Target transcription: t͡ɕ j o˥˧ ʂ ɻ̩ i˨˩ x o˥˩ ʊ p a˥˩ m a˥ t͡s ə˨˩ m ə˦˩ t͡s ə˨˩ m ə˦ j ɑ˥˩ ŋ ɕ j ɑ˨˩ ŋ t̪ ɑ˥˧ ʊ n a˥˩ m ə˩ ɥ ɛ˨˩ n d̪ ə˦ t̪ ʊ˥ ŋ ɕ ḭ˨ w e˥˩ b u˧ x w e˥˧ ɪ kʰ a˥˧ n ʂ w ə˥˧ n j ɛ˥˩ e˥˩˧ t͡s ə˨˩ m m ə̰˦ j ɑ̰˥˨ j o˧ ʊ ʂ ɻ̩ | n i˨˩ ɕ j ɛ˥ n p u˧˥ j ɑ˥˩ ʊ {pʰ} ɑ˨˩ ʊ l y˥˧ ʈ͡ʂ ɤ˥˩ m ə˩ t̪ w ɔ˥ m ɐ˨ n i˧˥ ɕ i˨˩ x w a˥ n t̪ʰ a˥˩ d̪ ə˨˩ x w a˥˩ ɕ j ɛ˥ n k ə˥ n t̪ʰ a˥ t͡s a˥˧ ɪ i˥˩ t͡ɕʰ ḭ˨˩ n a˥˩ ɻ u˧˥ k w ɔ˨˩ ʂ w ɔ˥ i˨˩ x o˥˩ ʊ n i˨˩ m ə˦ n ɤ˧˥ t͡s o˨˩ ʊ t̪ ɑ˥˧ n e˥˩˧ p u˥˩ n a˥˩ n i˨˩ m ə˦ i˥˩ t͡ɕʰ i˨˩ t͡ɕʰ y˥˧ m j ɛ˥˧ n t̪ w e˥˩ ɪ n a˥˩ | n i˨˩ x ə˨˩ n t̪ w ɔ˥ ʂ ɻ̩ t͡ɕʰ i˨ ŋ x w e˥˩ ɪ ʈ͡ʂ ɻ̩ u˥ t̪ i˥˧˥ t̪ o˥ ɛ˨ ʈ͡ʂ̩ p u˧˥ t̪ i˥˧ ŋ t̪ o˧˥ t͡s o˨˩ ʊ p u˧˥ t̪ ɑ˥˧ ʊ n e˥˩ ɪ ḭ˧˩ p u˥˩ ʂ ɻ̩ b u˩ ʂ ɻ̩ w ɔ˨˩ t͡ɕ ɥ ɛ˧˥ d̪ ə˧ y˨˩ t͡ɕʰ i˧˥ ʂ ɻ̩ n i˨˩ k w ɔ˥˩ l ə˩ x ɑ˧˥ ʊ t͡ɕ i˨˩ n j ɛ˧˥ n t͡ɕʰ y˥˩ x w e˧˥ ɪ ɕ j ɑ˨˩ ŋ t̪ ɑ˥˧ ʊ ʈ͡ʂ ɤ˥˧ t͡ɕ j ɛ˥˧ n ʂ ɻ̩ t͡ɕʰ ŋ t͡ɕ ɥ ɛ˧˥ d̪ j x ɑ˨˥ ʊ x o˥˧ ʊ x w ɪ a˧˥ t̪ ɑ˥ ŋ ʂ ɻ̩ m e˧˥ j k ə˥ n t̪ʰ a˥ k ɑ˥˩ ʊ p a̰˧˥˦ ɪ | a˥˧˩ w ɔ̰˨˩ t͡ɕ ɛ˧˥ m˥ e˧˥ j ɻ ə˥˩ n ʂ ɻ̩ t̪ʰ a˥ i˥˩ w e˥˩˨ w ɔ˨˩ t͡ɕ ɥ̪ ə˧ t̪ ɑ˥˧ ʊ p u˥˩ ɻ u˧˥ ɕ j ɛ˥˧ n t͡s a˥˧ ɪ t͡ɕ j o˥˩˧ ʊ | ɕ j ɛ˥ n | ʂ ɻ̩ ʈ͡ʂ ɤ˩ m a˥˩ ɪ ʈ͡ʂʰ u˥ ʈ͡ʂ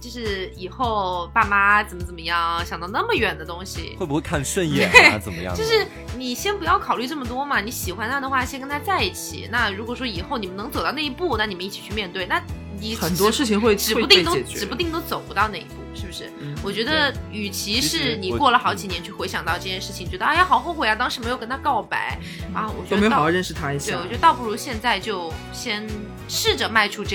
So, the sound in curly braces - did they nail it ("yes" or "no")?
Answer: no